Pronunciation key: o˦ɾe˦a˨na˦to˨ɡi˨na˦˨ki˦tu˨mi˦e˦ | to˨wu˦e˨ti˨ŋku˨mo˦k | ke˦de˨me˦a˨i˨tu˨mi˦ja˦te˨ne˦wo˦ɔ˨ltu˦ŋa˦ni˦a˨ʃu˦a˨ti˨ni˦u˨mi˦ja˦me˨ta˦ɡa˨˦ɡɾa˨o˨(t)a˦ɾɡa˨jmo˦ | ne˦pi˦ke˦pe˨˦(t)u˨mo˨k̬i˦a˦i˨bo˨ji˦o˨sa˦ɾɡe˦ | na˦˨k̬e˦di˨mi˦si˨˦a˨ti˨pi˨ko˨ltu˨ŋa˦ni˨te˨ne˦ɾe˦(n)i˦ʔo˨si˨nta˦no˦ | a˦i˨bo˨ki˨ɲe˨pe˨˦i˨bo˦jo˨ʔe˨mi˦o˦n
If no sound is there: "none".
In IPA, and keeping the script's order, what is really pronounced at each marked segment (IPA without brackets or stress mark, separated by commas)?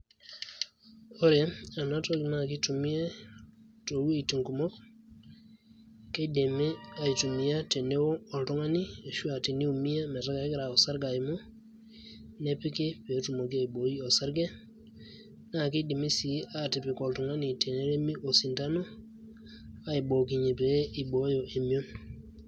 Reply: s, t, m